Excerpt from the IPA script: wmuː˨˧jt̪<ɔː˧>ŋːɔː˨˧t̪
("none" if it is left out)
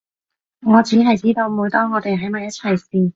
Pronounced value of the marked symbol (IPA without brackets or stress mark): ɔː˥